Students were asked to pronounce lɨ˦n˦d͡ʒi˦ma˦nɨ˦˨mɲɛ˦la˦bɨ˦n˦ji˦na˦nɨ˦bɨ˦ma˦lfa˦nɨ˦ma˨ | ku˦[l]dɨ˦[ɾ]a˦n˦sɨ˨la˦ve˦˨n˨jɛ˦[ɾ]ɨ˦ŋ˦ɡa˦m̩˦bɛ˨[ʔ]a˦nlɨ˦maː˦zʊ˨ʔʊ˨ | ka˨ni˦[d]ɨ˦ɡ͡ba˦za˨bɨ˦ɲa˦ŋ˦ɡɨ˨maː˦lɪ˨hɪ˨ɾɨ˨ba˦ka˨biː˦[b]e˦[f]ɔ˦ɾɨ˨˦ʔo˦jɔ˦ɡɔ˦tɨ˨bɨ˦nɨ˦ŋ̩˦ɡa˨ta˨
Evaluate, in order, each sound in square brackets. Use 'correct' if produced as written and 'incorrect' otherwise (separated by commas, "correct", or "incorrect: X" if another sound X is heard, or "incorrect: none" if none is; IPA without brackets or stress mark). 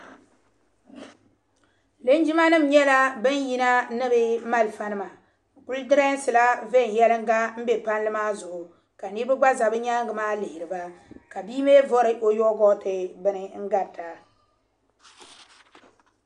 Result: correct, correct, incorrect: l, incorrect: p, incorrect: b, incorrect: m, incorrect: v